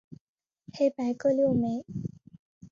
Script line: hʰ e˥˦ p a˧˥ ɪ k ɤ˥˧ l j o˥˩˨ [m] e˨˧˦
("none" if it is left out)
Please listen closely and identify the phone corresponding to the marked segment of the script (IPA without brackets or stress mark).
m